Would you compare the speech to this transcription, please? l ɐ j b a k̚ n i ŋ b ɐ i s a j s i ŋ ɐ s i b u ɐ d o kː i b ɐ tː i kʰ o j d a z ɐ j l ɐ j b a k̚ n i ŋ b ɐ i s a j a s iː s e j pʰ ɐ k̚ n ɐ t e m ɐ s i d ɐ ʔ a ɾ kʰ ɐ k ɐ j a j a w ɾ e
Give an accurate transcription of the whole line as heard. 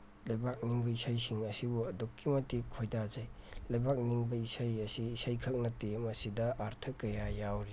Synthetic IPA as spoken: l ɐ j b a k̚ n i ŋ b ɐ i s a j s i ŋ ɐ s i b u ɐ d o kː i m ɐ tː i kʰ o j d a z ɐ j l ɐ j b a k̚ n i ŋ b ɐ i s a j ɐ s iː s a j kʰ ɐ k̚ n ɐ t e m ɐ s i d ɐ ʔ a ɾ tʰ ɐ k ɐ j a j a w ɾ i